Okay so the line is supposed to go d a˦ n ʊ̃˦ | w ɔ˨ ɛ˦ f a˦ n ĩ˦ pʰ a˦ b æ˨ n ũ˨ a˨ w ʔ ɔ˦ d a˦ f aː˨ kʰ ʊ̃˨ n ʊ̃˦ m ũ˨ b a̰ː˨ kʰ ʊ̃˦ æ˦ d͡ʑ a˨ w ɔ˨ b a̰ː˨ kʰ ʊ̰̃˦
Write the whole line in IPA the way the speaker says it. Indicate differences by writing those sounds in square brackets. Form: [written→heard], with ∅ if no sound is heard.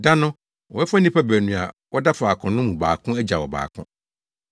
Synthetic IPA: d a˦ n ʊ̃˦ | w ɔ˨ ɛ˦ f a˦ n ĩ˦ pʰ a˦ b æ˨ n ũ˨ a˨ w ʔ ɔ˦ d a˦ f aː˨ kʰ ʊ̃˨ n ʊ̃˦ m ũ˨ b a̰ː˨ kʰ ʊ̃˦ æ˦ d͡ʑ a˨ w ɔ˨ b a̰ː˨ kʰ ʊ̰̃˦

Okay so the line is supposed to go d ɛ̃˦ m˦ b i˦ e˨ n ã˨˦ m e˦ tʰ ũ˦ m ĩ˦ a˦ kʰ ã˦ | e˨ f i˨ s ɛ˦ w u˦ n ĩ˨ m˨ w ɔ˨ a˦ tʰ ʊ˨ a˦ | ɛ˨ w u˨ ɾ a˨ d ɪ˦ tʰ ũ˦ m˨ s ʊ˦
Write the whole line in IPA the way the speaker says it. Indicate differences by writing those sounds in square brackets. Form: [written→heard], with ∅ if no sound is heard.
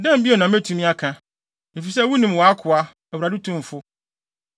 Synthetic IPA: d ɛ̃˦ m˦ b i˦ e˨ n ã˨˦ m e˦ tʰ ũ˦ m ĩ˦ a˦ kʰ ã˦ | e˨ f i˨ s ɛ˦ w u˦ n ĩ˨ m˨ w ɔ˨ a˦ [tʰ→kʰ] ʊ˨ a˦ | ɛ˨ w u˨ ɾ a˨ d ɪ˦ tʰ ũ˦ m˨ [s→f] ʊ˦

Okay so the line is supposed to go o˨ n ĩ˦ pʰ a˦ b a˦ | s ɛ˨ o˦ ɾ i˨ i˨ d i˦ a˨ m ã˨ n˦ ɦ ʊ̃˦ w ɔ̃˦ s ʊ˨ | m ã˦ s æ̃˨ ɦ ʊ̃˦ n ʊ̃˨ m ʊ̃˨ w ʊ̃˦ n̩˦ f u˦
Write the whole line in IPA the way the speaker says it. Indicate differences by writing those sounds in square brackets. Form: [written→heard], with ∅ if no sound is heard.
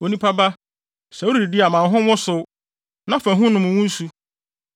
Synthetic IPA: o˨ n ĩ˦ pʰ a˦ b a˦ | s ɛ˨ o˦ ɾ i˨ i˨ d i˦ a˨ m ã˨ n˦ ɦ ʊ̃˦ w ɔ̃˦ s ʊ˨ | [m→n] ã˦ [s→f] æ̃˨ ɦ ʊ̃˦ n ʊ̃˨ m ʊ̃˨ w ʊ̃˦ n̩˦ [f→s] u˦

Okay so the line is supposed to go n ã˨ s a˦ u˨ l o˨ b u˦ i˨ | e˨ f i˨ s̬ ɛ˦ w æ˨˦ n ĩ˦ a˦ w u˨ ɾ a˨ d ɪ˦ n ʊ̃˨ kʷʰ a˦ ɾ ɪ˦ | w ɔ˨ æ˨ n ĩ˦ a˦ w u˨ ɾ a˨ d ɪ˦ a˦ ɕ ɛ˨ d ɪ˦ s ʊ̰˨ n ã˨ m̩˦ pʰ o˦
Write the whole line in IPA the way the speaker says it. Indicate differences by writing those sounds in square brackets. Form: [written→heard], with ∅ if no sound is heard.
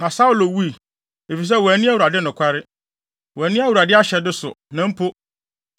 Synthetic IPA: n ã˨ s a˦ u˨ l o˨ [b→w] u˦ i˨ | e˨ f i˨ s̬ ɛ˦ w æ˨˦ n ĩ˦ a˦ w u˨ ɾ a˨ d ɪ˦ n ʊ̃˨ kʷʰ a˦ ɾ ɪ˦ | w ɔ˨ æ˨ n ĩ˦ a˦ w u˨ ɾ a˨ d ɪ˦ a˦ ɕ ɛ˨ d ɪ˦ s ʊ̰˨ n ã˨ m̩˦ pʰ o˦

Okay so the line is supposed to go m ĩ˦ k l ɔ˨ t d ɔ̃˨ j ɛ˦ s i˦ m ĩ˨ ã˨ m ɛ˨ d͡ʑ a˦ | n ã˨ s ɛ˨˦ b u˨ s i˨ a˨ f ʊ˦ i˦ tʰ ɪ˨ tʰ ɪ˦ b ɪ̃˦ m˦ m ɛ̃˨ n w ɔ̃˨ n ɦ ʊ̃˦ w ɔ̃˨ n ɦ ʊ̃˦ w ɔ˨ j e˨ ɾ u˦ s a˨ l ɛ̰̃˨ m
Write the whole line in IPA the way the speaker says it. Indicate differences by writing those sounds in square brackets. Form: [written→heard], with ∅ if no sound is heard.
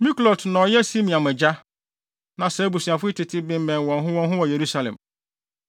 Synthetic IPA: m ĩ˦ k l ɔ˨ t [d→n] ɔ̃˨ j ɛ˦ s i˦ m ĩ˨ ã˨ m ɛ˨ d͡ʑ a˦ | n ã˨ s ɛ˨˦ b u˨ s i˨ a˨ f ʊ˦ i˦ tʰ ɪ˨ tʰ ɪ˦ b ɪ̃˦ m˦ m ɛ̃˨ n w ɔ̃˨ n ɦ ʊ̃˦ w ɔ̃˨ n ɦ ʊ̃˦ w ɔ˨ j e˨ ɾ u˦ s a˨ l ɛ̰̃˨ m

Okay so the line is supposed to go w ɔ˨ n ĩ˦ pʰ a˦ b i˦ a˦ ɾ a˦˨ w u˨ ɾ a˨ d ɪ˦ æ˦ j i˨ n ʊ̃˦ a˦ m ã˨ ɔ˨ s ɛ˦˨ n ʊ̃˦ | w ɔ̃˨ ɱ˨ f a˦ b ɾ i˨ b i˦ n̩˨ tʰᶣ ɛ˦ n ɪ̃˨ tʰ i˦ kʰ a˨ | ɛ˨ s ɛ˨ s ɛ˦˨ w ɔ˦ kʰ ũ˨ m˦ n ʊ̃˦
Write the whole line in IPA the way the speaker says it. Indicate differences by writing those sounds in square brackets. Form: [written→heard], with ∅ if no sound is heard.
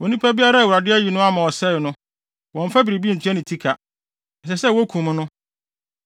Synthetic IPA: w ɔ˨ n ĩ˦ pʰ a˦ b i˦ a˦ ɾ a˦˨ w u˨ ɾ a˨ d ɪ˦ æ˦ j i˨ n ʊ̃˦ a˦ m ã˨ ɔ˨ s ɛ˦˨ n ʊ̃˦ | w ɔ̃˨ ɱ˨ f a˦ b ɾ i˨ b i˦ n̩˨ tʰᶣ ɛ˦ n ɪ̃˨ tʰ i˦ kʰ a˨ | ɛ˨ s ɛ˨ s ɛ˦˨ w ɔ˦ kʰ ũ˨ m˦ n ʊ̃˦

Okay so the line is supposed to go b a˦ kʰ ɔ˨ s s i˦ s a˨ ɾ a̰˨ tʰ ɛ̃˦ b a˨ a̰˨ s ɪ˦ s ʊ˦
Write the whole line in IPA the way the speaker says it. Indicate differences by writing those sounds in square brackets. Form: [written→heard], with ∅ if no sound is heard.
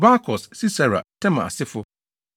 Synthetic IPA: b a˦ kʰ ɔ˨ s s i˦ s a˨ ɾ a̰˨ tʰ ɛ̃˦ [b→m] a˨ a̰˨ s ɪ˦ [s→f] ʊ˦

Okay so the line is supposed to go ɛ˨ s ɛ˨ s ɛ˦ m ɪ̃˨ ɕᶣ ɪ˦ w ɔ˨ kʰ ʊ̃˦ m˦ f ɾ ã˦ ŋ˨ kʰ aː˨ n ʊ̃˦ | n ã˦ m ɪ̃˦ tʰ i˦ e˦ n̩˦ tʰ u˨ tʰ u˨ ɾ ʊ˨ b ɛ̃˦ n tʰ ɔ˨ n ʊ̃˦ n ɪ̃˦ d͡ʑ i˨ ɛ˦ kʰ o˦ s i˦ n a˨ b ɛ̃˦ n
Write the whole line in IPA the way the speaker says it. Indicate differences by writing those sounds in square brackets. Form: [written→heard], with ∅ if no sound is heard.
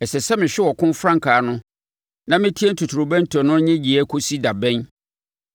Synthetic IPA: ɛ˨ s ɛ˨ s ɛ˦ m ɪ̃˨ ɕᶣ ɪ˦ w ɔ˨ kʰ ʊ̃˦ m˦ f ɾ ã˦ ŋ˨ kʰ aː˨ n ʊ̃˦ | n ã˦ m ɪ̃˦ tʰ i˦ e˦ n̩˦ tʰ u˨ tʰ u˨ ɾ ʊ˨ b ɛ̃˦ n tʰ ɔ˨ n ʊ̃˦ [n→ɲ] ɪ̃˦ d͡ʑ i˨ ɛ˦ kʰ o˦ s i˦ [n→d] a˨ b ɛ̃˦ n

